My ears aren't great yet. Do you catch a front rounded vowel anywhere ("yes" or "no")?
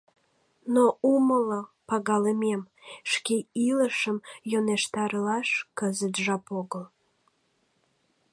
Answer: no